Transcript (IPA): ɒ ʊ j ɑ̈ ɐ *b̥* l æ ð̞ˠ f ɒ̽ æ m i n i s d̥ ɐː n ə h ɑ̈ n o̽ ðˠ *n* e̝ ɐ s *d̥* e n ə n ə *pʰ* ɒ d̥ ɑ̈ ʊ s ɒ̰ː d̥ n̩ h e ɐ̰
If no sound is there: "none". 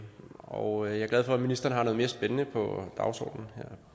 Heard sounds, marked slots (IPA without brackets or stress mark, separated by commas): ɡ̥, m, b̥, pʰ